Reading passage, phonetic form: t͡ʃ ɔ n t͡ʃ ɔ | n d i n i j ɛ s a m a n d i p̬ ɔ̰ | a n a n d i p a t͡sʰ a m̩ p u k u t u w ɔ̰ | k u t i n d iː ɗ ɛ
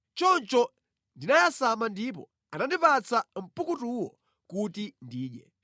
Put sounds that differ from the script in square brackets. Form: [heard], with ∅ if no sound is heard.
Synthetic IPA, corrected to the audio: t͡ʃ ɔ n t͡ʃ ɔ | n d i n [a] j [a] s a m a n d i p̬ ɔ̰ | a n a n d i p a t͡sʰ a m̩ p u k u t u w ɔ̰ | k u t i n d iː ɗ ɛ

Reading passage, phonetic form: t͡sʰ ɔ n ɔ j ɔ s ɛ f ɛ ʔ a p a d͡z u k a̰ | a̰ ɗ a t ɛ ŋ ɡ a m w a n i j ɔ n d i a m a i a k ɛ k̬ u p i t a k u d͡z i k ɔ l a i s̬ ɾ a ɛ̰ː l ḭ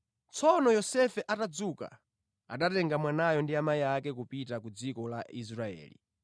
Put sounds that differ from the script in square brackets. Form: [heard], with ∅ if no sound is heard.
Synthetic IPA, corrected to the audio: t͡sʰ ɔ n ɔ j ɔ s ɛ f ɛ ʔ a [t] a d͡z u k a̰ | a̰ ɗ a t ɛ ŋ ɡ a m w a n [a] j ɔ n d i a m a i a k ɛ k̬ u p i t a k u d͡z i k ɔ l a i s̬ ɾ a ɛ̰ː l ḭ

